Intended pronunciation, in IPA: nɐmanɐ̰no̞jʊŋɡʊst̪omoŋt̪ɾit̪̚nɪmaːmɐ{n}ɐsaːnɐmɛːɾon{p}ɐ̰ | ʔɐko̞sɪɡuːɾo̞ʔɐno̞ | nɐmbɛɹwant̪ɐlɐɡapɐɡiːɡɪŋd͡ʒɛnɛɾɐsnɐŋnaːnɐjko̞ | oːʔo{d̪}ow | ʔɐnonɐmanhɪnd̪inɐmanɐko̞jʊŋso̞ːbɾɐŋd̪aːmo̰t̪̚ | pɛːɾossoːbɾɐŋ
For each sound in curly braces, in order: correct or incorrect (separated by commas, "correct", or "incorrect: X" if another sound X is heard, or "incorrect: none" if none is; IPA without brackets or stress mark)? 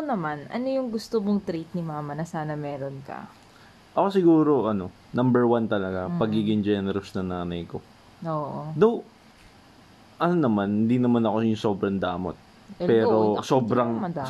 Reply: correct, incorrect: k, correct